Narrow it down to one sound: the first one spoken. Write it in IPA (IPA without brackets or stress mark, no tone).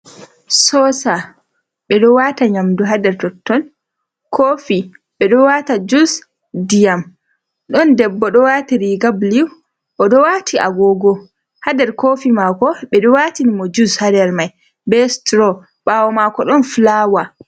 s